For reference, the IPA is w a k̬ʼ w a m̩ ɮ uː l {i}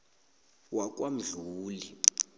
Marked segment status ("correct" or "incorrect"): correct